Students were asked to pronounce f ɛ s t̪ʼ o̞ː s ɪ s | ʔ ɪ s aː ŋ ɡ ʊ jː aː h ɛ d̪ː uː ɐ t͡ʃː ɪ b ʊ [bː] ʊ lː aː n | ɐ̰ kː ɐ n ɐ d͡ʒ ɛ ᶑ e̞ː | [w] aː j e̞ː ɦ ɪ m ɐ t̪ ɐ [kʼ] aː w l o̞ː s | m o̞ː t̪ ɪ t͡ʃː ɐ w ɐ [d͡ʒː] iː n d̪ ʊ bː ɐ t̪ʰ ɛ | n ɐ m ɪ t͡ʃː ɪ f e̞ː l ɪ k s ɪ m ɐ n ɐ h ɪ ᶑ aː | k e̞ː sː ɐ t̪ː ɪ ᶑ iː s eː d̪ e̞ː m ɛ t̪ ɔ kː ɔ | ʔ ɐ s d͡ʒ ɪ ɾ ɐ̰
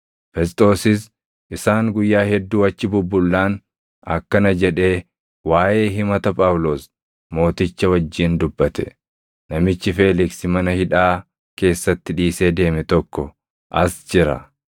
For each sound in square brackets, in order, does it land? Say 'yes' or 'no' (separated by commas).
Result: yes, yes, no, yes